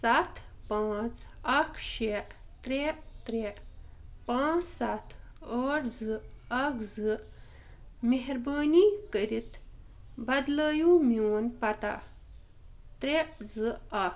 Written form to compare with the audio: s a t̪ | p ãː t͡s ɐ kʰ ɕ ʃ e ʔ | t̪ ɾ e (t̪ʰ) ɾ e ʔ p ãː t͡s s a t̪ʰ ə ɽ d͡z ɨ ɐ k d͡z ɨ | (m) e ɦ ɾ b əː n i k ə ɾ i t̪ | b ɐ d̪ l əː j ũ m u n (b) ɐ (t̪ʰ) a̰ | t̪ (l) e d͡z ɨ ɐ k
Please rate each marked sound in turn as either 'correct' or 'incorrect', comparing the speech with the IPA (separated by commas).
incorrect, correct, incorrect, incorrect, incorrect